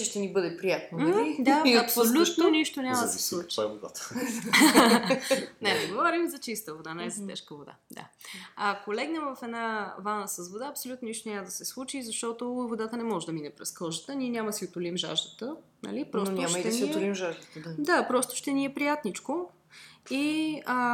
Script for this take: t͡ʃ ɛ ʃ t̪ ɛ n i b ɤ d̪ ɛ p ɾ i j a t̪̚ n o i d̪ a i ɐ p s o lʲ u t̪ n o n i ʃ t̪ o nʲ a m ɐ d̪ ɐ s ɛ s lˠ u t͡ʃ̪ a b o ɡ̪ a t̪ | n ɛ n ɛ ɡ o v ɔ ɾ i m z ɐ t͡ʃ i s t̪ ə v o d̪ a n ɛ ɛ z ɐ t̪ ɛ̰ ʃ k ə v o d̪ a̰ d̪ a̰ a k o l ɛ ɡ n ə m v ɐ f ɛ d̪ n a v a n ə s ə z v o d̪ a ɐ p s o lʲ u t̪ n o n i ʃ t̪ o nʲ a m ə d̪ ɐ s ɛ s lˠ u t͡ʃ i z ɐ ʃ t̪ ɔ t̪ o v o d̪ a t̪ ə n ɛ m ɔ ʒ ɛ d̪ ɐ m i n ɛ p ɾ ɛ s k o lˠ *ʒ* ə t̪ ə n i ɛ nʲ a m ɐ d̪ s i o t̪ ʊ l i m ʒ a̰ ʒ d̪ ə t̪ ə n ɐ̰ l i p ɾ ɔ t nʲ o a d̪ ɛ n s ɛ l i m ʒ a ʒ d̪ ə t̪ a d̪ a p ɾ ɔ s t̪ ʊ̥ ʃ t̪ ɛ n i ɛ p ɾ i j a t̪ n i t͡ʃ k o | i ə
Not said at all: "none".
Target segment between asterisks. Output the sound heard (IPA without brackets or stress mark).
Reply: ʒ